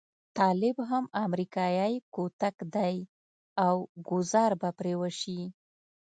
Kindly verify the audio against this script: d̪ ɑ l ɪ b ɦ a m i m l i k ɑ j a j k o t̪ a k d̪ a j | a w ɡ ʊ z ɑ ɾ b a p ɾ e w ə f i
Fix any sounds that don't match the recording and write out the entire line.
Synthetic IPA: t̪ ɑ l ɪ b ɦ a m a m ɾ i k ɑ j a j k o t̪ a k d̪ a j | a w ɡ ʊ z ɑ ɾ b a p ɾ e w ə ʃ i